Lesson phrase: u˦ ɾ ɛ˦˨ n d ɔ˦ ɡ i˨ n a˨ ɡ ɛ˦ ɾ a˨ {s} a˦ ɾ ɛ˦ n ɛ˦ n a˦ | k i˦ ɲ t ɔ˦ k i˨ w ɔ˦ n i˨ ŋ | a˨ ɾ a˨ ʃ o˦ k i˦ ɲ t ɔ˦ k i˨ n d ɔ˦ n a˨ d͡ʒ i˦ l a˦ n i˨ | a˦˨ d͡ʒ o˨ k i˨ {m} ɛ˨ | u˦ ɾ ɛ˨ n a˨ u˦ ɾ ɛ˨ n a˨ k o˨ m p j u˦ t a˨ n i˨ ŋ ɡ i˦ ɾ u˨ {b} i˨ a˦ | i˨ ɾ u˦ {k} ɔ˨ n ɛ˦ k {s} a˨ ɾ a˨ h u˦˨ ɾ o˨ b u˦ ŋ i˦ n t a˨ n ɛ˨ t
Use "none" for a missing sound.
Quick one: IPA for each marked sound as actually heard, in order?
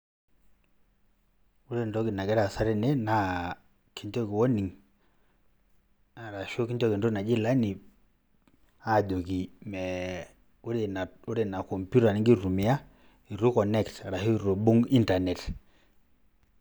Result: s, m, m, k, t

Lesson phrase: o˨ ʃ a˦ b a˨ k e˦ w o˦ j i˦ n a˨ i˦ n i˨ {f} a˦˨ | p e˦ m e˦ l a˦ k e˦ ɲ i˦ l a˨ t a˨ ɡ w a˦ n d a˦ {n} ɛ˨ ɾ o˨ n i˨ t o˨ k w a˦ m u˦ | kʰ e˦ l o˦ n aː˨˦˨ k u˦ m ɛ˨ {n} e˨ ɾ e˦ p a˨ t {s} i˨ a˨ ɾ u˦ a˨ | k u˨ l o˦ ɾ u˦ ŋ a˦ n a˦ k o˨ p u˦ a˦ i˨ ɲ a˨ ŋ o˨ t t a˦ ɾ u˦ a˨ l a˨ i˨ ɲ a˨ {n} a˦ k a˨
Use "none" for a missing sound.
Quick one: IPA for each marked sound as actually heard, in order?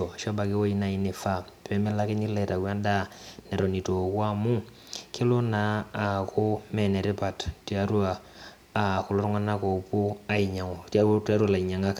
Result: f, n, n, t, ŋ

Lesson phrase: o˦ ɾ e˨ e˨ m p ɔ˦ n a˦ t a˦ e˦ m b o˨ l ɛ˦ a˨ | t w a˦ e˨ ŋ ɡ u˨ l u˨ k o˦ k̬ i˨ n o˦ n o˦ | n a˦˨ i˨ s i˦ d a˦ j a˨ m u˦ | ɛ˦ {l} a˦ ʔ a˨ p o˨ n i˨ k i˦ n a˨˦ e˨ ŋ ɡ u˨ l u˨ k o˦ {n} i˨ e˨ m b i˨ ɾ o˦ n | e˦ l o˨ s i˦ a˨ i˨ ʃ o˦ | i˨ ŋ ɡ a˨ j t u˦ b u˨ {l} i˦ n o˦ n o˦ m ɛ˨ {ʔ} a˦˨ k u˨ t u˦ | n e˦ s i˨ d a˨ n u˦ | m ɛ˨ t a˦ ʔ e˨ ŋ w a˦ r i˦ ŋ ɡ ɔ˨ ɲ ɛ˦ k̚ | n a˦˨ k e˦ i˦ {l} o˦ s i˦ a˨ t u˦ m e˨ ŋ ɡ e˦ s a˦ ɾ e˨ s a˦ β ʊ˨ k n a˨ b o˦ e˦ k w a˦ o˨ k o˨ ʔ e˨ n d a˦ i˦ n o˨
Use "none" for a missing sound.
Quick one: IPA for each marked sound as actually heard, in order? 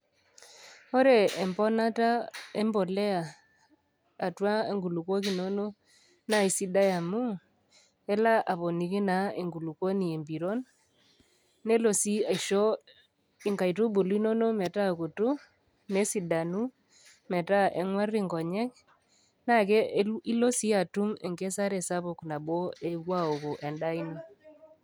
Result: l, n, l, t, l

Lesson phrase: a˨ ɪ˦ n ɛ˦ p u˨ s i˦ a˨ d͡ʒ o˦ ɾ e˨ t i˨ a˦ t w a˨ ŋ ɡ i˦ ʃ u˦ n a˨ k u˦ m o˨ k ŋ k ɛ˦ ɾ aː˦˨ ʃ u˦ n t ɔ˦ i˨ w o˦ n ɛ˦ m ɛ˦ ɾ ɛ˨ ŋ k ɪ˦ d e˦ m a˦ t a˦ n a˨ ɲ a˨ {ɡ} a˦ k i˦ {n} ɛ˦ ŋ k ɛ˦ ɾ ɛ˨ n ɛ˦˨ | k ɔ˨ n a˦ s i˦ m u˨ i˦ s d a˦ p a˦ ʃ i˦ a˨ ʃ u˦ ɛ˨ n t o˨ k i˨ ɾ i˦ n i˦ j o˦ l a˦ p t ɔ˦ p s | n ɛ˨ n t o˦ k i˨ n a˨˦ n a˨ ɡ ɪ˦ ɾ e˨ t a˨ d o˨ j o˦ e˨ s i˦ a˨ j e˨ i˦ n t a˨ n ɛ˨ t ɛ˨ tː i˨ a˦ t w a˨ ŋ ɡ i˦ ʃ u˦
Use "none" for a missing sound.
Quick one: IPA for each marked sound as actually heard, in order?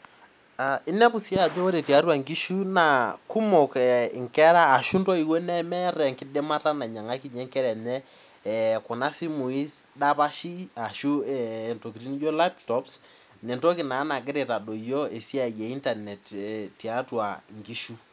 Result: ŋ, ɲ

